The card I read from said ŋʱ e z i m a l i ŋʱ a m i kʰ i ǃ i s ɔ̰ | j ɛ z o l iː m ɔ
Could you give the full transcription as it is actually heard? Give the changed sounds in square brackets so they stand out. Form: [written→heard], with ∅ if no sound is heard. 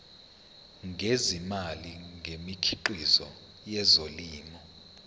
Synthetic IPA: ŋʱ e z i m a l i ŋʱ [a→e] m i kʰ i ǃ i [s→z] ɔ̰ | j ɛ z o l iː m ɔ